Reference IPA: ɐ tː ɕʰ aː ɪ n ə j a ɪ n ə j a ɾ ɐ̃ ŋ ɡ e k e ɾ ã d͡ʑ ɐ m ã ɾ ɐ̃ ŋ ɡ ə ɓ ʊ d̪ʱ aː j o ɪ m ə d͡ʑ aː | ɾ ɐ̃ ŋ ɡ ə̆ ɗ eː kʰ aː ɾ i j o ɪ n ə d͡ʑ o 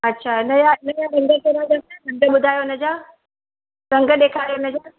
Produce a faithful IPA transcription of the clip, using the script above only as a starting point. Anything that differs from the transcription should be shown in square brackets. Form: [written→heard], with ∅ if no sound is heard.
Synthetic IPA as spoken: ɐ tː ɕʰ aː ɪ n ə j a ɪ n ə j a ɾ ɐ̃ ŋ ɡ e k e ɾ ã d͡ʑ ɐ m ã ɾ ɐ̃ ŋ ɡ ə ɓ ʊ d̪ʱ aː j o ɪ [m→n] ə d͡ʑ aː | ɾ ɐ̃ ŋ ɡ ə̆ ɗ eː kʰ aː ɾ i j o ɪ n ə d͡ʑ o